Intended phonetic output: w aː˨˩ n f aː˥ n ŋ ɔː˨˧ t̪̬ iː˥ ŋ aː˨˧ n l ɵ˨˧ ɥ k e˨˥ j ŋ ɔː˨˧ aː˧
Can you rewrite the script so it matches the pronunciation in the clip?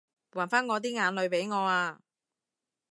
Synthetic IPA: w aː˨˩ n f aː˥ n ŋ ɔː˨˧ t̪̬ iː˥ ŋ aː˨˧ n l ɵ˨˧ ɥ p e˨˥ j ŋ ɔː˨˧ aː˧